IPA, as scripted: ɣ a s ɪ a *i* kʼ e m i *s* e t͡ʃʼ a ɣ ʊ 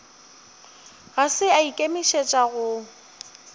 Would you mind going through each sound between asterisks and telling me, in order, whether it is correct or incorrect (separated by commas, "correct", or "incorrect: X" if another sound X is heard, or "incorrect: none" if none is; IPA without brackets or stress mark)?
correct, incorrect: ʃ